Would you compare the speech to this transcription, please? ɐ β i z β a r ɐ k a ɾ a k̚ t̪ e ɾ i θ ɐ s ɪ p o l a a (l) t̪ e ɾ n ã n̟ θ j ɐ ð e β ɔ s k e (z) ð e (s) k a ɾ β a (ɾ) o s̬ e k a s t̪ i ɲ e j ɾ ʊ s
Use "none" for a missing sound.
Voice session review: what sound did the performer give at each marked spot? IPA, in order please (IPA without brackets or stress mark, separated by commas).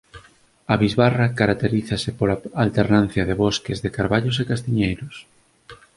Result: l, z, none, ʎ